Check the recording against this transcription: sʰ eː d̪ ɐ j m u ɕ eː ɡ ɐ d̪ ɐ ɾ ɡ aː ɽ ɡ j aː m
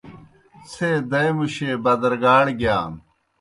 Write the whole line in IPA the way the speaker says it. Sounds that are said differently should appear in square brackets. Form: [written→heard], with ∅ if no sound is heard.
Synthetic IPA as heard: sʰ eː d̪ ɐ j m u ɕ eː [ɡ→b] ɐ d̪ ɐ ɾ ɡ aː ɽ ɡ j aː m